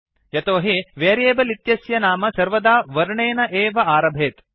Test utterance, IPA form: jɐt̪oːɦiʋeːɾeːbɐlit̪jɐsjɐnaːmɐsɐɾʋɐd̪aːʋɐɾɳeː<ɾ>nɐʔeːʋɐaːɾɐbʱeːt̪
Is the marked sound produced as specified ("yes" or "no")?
no